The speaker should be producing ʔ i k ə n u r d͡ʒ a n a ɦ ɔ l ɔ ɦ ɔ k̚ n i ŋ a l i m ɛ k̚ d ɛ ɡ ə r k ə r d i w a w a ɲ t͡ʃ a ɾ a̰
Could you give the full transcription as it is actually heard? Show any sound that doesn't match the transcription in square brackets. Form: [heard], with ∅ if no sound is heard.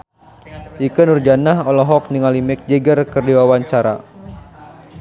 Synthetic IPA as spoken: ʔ i k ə n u r d͡ʒ a n a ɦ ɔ l ɔ ɦ ɔ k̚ n i ŋ a l i m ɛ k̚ [d͡ʒ] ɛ ɡ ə r k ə r d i w a w a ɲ t͡ʃ a ɾ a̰